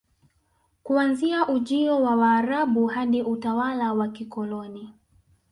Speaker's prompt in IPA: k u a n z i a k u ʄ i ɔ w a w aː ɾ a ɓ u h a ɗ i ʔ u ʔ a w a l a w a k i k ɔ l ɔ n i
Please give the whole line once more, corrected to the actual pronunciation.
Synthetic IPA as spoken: k u a n z i a ʔ u ʄ i ɔ w a w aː ɾ a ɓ u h a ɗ i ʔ u t a w a l a w a k i k ɔ l ɔ n i